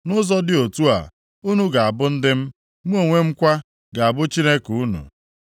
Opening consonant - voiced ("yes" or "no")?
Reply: yes